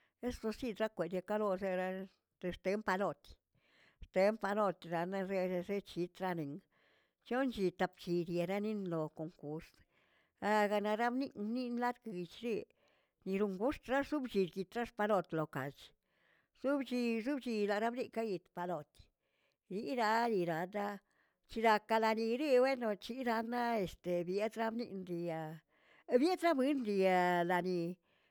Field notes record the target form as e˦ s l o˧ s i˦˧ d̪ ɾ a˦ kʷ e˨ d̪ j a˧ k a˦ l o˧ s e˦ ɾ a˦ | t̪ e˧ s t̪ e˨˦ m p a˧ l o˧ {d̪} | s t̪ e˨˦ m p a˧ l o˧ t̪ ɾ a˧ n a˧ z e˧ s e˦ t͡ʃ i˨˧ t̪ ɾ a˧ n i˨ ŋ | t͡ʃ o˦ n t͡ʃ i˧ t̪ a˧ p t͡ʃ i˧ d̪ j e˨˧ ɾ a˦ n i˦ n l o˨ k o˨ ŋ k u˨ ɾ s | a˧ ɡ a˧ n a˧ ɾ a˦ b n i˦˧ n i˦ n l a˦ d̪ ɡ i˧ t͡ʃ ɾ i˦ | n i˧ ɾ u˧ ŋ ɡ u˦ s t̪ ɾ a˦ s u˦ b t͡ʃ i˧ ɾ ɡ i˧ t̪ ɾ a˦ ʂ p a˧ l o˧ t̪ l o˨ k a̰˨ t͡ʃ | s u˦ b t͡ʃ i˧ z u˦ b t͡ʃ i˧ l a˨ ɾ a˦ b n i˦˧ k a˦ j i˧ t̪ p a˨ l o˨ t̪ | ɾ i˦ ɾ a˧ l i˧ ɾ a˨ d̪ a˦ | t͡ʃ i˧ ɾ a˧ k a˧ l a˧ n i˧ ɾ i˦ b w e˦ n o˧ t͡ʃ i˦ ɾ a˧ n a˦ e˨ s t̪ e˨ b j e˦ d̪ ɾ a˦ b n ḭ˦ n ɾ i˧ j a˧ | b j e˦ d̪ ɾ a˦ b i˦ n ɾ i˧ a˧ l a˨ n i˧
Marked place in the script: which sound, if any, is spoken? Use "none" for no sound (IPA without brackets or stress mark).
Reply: t̪